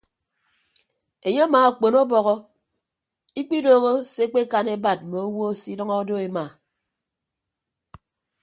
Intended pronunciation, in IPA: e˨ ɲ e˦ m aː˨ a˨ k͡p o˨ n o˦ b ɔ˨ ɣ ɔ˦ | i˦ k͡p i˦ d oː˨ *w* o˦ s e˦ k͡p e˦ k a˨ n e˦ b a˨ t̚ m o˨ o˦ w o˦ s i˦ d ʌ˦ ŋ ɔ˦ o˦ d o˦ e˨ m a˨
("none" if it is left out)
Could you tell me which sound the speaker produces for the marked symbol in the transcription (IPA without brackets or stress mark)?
ɣ